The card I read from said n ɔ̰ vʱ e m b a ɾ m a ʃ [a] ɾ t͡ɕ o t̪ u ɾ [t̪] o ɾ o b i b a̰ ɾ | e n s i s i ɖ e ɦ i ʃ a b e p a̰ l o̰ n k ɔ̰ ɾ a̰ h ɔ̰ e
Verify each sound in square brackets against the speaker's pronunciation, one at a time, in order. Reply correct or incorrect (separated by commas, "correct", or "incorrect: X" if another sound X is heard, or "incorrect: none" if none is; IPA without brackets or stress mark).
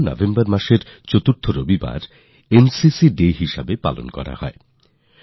incorrect: e, incorrect: t̪ʰ